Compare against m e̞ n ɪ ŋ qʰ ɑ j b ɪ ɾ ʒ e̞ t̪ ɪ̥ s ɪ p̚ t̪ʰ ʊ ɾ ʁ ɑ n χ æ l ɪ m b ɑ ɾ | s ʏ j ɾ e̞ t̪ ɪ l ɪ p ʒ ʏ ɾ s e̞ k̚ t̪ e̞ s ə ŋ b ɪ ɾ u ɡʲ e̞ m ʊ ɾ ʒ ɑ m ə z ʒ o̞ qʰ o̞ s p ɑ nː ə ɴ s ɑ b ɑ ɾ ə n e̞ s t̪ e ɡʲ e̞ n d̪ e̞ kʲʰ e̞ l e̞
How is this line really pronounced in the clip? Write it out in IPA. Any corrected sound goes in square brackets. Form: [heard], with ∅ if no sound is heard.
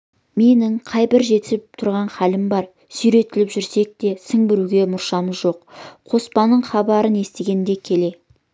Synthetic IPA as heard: m e̞ n ɪ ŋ qʰ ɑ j b ɪ ɾ ʒ e̞ t̪ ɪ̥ s ɪ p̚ t̪ʰ ʊ ɾ ʁ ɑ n χ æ l ɪ m b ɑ ɾ | s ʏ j ɾ e̞ t̪ ɪ l ɪ p ʒ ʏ ɾ s e̞ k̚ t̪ e̞ s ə ŋ b ɪ ɾ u ɡʲ e̞ m ʊ ɾ [ʃ] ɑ m ə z ʒ o̞ qʰ o̞ s p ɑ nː ə ɴ [χ] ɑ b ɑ ɾ ə n e̞ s t̪ e ɡʲ e̞ n d̪ e̞ kʲʰ e̞ l e̞

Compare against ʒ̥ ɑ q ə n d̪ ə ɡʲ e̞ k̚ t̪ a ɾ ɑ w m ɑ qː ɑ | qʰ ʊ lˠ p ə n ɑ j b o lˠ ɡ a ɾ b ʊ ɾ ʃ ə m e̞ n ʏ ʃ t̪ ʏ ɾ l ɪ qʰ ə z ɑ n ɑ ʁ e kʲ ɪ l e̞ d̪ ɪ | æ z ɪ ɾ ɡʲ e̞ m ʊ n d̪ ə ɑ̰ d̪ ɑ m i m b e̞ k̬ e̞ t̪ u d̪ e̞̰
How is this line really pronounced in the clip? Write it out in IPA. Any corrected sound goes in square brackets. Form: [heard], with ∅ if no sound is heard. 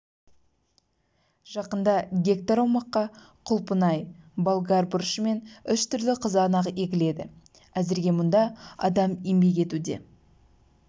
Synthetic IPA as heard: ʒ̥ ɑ q ə n d̪ [ɑ] ɡʲ e̞ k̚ t̪ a ɾ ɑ w m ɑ qː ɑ | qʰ ʊ lˠ p ə n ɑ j b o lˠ ɡ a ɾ b ʊ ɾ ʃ ə m e̞ n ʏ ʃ t̪ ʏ ɾ l ɪ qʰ ə z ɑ n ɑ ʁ e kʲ ɪ l e̞ d̪ ɪ | æ z ɪ ɾ ɡʲ e̞ m ʊ n d̪ [ɑ] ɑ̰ d̪ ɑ m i m b e̞ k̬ e̞ t̪ u d̪ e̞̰

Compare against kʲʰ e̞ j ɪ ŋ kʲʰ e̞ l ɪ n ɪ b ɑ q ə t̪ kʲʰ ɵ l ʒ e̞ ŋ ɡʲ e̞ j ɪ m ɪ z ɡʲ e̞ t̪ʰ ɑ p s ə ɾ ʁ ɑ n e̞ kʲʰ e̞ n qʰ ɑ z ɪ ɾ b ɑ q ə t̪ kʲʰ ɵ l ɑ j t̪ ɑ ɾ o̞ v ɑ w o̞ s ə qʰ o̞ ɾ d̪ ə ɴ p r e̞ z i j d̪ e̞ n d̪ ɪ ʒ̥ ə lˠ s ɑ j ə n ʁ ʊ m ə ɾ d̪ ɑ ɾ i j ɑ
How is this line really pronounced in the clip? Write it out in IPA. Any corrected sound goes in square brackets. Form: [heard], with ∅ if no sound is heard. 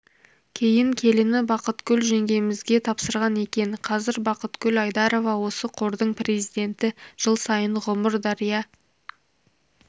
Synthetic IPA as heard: kʲʰ e̞ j ɪ ŋ kʲʰ e̞ l ɪ n ɪ b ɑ q ə t̪ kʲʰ ɵ l ʒ e̞ ŋ ɡʲ e̞ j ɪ m ɪ z ɡʲ e̞ t̪ʰ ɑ p s ə ɾ ʁ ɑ n e̞ [kʲ] e̞ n qʰ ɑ z ɪ ɾ b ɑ q ə t̪ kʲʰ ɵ l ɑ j [d̪] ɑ ɾ o̞ v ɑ w o̞ s ə qʰ o̞ ɾ d̪ ə ɴ p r e̞ z i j d̪ e̞ n [t̪] ɪ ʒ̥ ə lˠ s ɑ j ə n ʁ ʊ m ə ɾ d̪ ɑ ɾ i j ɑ

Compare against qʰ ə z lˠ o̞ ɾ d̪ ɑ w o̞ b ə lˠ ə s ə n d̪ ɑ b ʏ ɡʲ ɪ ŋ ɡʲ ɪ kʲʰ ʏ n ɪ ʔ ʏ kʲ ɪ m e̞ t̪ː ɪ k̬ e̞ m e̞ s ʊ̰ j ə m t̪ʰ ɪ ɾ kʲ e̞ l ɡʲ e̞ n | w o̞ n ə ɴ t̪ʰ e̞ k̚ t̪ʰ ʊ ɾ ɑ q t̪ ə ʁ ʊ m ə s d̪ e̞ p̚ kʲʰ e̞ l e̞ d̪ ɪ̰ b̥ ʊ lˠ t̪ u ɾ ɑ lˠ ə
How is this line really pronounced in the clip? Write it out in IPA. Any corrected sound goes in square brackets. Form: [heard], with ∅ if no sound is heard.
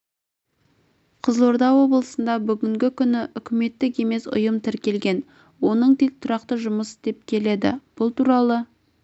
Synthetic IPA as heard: qʰ ə z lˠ o̞ ɾ d̪ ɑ w o̞ b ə lˠ ə s ə n d̪ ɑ b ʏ ɡʲ ɪ ŋ ɡʲ ɪ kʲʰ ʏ n ɪ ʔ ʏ kʲ ɪ m e̞ t̪ː ɪ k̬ e̞ m e̞ s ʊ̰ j ə m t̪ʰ ɪ ɾ kʲ e̞ l ɡʲ e̞ n | w o̞ n ə ɴ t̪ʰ e̞ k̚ t̪ʰ ʊ ɾ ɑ q t̪ ə [ʒ] ʊ m ə s d̪ e̞ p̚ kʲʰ e̞ l e̞ d̪ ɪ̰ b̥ ʊ lˠ t̪ u ɾ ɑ lˠ ə

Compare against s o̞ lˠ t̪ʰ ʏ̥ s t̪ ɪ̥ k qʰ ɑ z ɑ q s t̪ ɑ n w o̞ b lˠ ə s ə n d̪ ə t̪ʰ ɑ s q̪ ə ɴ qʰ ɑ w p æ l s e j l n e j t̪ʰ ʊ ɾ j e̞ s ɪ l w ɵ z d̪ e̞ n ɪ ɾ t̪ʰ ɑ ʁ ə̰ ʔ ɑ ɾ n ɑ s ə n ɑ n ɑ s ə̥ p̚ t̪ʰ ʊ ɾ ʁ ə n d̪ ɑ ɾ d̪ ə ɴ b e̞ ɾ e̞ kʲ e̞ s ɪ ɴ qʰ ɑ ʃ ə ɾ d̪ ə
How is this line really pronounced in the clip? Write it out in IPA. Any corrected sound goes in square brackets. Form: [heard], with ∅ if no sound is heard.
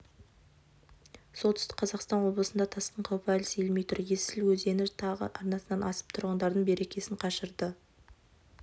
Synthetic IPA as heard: s o̞ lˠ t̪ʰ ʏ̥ s t̪ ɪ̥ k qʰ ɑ z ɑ q s t̪ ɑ n w o̞ b lˠ ə s ə n d̪ [ɑ] t̪ʰ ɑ s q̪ ə ɴ qʰ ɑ w p æ l s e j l [m] e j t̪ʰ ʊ ɾ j e̞ s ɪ l w ɵ z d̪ e̞ n ɪ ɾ t̪ʰ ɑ ʁ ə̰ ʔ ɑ ɾ n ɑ s ə n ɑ n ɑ s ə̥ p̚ t̪ʰ ʊ ɾ ʁ ə n d̪ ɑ ɾ d̪ ə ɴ b e̞ ɾ e̞ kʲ e̞ s ɪ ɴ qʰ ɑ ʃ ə ɾ d̪ ə

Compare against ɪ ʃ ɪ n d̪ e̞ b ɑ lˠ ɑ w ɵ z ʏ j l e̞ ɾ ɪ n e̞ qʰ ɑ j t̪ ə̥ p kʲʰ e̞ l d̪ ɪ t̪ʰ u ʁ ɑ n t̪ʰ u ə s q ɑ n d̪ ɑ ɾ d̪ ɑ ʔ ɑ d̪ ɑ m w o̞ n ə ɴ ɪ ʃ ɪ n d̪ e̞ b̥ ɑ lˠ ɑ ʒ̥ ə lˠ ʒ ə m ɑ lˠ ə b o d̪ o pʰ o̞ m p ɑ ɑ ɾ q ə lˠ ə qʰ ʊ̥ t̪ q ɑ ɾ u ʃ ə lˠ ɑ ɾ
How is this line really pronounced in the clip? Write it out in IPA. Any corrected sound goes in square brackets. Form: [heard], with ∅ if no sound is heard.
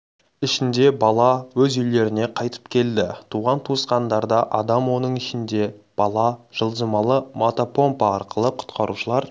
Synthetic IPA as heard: ɪ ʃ ɪ n d̪ e̞ b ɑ lˠ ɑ w ɵ z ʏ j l e̞ ɾ ɪ n e̞ qʰ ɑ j t̪ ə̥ p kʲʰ e̞ l d̪ ɪ t̪ʰ u ʁ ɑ n t̪ʰ u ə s q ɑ n d̪ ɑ ɾ d̪ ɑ ʔ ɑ d̪ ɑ m w o̞ n ə ɴ ɪ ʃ ɪ n d̪ e̞ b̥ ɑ lˠ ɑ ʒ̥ ə lˠ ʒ ə m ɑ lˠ ə [m] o [t̪] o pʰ o̞ m p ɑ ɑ ɾ q ə lˠ ə qʰ ʊ̥ t̪ q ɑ ɾ u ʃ ə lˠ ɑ ɾ

